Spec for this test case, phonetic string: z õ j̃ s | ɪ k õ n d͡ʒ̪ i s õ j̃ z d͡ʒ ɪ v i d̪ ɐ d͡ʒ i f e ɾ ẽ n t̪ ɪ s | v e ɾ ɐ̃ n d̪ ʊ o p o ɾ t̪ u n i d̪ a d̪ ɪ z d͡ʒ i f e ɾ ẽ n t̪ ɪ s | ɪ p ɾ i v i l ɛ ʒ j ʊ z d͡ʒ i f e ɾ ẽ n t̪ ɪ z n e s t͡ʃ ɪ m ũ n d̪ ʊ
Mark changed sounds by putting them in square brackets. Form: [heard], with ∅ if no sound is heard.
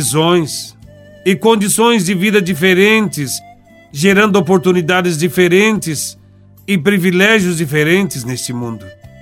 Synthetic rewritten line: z õ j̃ s | ɪ k õ n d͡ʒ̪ i s õ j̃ z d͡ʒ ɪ v i d̪ ɐ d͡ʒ i f e ɾ ẽ n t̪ ɪ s | [ʒ] e ɾ ɐ̃ n d̪ ʊ o p o ɾ t̪ u n i d̪ a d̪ ɪ z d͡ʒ i f e ɾ ẽ n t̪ ɪ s | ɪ p ɾ i v i l ɛ ʒ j ʊ z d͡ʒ i f e ɾ ẽ n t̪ ɪ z n e s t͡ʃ ɪ m ũ n d̪ ʊ